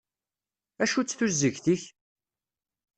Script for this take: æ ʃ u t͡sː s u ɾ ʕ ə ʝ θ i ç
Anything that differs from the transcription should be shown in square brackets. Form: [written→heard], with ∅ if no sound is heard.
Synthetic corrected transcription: æ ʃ u t͡sː [s→θ] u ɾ [ʕ→z] ə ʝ θ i ç